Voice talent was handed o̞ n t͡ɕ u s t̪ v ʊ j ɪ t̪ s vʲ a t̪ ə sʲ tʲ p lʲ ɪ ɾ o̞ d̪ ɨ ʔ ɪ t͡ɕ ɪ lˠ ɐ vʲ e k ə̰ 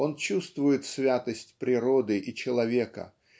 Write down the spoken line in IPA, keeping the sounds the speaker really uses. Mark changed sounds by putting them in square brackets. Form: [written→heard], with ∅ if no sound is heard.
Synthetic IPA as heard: o̞ n t͡ɕ u s t̪ v ʊ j ɪ t̪ s vʲ a t̪ ə sʲ tʲ p [lʲ→ɾʲ] ɪ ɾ o̞ d̪ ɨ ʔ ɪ t͡ɕ ɪ lˠ ɐ vʲ e k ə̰